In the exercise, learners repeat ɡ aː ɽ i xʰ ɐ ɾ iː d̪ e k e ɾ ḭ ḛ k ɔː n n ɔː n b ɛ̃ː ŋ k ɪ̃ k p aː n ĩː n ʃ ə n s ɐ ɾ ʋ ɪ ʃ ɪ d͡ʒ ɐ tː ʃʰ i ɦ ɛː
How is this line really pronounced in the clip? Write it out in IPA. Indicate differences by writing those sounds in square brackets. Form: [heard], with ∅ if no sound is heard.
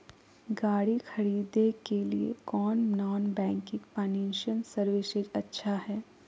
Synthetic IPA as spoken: ɡ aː ɽ i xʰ ɐ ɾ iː d̪ e k e [l] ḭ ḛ k ɔː n n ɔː n b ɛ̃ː ŋ k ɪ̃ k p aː n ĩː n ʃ ə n s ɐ ɾ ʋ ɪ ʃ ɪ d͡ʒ ɐ tː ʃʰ [a] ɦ ɛː